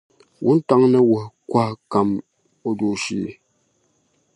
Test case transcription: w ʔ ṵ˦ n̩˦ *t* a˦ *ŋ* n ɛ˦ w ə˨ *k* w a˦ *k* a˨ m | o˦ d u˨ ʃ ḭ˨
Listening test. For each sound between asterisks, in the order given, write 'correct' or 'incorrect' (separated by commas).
correct, correct, correct, correct